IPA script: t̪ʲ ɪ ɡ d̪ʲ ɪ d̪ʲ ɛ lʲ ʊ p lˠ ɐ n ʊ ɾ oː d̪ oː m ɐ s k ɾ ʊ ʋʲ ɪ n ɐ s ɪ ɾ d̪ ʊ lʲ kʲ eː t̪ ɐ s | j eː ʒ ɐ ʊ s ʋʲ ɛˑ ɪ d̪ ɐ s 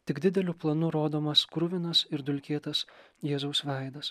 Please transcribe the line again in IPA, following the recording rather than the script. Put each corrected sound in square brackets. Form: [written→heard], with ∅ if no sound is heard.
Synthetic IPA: t̪ʲ ɪ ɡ d̪ʲ ɪ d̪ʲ ɛ lʲ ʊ p lˠ ɐ n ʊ ɾ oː d̪ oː m ɐ s k ɾ ʊ ʋʲ ɪ n ɐ s ɪ ɾ d̪ ʊ lʲ kʲ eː t̪ ɐ s | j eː [ʒ→z] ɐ ʊ s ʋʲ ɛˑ ɪ d̪ ɐ s

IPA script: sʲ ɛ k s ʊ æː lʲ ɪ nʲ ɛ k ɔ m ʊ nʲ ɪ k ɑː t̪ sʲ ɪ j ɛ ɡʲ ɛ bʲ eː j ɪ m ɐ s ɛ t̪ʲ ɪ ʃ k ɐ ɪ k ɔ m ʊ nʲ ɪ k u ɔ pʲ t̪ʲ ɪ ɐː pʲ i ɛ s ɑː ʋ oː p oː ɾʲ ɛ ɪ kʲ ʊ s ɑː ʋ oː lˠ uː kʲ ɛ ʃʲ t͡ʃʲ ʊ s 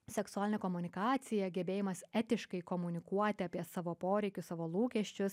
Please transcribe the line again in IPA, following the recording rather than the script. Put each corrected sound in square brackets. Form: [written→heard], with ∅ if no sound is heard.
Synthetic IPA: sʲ ɛ k s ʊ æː lʲ ɪ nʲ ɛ k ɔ m ʊ nʲ ɪ k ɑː t̪ sʲ ɪ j ɛ ɡʲ ɛ bʲ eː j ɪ m ɐ s ɛ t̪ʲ ɪ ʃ k ɐ ɪ k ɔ m ʊ nʲ ɪ k u ɔ [pʲ→∅] t̪ʲ ɪ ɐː pʲ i ɛ s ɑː ʋ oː p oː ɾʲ ɛ ɪ kʲ ʊ s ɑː ʋ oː lˠ uː kʲ ɛ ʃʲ t͡ʃʲ ʊ s

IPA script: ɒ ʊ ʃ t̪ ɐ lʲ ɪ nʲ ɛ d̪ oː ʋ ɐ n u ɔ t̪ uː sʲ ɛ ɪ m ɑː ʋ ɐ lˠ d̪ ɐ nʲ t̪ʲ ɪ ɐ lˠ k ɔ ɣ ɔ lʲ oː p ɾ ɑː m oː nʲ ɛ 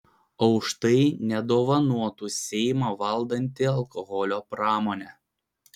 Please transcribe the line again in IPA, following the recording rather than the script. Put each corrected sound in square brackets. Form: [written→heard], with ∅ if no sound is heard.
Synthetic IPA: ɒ ʊ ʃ t̪ ɐ [lʲ→∅] ɪ nʲ ɛ d̪ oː ʋ ɐ n u ɔ t̪ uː sʲ ɛ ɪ m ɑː ʋ ɐ lˠ d̪ ɐ nʲ t̪ʲ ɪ ɐ lˠ k ɔ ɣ ɔ lʲ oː p ɾ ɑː m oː nʲ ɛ

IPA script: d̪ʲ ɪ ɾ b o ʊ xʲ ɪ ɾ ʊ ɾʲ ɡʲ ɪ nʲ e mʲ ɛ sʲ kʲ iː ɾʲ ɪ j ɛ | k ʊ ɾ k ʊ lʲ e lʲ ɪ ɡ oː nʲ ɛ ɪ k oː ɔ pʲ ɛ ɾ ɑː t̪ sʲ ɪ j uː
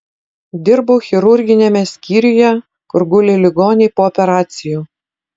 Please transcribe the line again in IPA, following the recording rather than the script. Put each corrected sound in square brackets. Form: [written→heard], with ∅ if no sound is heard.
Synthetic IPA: d̪ʲ ɪ ɾ b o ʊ xʲ ɪ ɾ ʊ ɾʲ ɡʲ ɪ nʲ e mʲ ɛ sʲ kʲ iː ɾʲ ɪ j ɛ | k ʊ ɾ [k→ɡ] ʊ lʲ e lʲ ɪ ɡ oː nʲ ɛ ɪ [k→p] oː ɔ pʲ ɛ ɾ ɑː t̪ sʲ ɪ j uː

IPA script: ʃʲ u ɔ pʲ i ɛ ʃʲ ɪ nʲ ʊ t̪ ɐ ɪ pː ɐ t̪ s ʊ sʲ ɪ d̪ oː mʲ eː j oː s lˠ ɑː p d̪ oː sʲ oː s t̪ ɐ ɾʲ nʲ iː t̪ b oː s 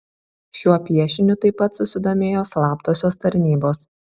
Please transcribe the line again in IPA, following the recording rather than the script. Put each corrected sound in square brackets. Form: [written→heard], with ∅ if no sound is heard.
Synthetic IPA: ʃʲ u ɔ pʲ i ɛ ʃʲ ɪ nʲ ʊ t̪ ɐ ɪ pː ɐ t̪ s ʊ sʲ ɪ d̪ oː mʲ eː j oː s lˠ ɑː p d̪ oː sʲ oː s t̪ ɐ ɾʲ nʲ iː [t̪→∅] b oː s

